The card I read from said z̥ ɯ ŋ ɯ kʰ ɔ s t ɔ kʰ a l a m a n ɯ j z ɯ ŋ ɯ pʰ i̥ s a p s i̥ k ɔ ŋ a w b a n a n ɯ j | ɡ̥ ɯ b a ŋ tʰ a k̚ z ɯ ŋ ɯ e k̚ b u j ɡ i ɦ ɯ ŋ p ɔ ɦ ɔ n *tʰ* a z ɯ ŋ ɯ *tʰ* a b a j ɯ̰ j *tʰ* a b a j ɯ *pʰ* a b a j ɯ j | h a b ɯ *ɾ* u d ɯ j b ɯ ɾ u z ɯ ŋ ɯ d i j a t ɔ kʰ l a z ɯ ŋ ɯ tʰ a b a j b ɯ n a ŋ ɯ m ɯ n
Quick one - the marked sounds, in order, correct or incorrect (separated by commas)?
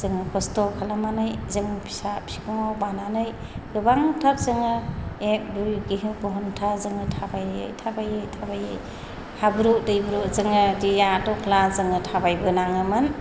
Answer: correct, correct, correct, incorrect, correct